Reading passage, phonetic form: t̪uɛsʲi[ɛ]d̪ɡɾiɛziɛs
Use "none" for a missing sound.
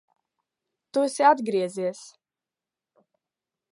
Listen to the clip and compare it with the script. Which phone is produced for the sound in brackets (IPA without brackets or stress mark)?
a